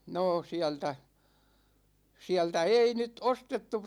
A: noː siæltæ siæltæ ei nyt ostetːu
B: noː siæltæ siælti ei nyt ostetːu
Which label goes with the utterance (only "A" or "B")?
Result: A